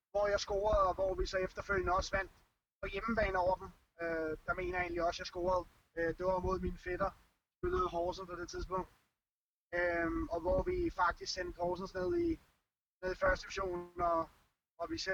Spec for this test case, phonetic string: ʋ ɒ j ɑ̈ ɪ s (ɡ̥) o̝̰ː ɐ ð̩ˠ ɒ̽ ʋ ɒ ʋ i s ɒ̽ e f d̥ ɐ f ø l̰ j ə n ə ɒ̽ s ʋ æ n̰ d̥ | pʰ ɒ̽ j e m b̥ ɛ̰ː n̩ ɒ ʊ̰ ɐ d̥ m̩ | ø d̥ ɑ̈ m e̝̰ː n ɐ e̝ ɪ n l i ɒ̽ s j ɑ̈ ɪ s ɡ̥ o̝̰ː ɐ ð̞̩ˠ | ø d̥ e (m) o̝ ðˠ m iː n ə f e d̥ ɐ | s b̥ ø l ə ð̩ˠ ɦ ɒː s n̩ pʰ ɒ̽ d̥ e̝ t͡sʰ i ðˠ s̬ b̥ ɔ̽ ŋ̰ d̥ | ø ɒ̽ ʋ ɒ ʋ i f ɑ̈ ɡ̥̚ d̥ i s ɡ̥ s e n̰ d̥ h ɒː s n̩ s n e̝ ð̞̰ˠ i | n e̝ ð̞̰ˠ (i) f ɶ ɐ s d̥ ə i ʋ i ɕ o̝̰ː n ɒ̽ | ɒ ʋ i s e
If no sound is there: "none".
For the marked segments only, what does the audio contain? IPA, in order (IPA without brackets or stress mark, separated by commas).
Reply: ɡ̥, m, i